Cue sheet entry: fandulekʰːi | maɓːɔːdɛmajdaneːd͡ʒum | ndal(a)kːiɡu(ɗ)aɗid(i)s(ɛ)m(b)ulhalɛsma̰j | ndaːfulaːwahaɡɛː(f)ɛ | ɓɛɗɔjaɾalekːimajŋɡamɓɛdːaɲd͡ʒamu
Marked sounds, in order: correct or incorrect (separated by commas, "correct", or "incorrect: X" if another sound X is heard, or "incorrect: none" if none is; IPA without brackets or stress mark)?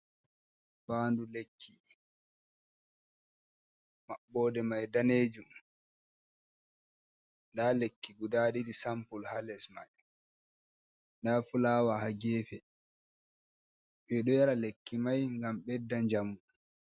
incorrect: e, incorrect: d, correct, incorrect: a, incorrect: p, correct